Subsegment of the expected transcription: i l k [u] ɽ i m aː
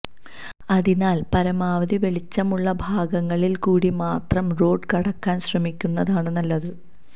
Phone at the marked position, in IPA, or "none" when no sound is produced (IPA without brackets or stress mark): uː